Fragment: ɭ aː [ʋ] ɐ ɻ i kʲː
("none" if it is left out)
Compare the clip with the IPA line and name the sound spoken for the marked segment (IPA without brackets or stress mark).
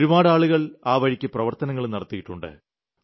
ʋ